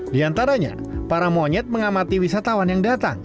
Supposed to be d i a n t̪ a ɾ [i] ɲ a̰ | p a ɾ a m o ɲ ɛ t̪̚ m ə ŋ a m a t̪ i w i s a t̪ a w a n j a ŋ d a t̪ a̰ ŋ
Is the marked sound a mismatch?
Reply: yes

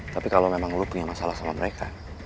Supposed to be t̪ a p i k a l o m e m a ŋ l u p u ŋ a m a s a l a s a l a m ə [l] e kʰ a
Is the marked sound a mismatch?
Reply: yes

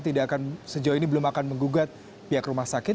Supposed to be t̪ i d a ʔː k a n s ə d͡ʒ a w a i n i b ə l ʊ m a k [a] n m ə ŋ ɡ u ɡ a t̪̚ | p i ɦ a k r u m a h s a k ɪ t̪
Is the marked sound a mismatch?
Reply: no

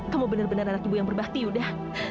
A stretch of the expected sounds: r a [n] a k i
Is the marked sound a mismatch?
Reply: no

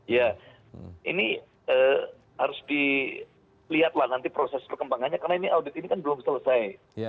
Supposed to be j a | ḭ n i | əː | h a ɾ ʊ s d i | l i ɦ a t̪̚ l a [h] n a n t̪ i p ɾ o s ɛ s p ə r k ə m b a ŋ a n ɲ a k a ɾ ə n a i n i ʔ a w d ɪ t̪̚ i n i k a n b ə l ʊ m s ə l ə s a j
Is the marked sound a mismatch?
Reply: no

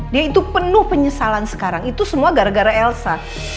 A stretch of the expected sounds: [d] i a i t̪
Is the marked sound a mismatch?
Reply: no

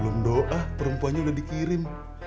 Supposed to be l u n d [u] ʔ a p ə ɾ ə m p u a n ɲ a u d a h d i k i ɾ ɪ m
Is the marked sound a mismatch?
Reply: yes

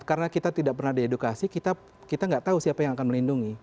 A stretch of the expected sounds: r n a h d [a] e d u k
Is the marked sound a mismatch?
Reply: yes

